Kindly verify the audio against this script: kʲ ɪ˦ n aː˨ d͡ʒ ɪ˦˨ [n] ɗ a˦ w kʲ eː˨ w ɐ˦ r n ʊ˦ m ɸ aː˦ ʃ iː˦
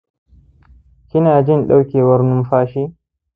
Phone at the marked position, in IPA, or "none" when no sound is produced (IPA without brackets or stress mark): n